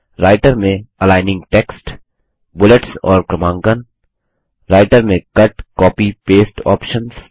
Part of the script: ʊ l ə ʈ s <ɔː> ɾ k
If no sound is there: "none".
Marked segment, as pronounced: ɔː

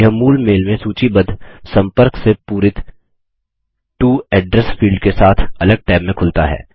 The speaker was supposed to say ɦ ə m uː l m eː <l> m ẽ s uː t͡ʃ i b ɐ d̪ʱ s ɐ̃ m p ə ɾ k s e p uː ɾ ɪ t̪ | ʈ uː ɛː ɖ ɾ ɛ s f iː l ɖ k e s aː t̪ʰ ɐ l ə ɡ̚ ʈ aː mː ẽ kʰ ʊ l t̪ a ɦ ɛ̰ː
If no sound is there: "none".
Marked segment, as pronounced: l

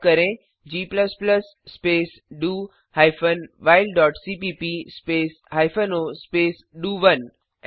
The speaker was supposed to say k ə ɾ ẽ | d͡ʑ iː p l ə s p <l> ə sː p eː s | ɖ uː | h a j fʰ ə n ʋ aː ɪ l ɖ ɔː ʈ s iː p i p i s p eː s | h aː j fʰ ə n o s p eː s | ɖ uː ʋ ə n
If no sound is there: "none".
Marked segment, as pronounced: l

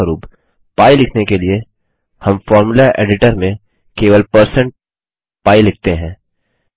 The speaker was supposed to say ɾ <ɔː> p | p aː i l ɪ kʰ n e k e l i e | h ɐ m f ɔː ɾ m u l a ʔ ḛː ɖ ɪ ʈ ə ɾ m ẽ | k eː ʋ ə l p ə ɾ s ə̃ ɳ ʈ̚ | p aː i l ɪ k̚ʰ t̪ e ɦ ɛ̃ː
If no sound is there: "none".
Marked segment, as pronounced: uː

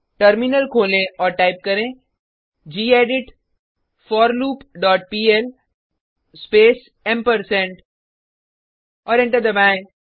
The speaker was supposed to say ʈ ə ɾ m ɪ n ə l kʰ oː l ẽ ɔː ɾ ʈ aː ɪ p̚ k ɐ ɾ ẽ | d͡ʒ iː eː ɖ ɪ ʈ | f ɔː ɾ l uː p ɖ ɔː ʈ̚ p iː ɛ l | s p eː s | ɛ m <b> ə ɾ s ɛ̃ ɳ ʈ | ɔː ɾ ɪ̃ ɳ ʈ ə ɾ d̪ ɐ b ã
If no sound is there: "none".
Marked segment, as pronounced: p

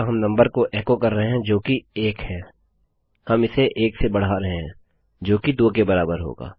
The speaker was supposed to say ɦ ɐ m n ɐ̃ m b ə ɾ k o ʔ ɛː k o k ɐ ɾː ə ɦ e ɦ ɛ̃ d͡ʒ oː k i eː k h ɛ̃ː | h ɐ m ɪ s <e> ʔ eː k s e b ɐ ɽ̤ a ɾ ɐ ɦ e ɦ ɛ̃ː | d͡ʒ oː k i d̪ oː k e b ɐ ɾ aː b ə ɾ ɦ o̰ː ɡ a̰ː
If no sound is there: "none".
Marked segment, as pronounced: e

